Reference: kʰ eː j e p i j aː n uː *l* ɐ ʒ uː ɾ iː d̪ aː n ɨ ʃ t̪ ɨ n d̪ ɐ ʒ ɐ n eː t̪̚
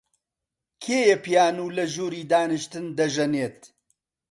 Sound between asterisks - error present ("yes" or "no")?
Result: no